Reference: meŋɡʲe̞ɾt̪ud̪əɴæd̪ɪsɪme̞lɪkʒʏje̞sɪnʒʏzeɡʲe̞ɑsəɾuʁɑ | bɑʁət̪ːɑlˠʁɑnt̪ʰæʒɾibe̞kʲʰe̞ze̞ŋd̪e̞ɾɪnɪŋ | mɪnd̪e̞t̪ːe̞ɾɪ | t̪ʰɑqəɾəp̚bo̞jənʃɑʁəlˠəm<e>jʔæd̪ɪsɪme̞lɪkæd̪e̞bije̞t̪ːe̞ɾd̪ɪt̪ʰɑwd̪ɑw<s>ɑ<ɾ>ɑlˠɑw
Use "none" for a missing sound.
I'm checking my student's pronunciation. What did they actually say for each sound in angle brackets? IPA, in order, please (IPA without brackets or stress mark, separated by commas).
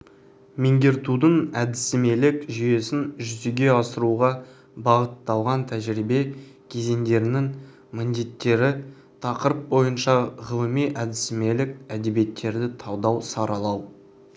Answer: i, s, ɾ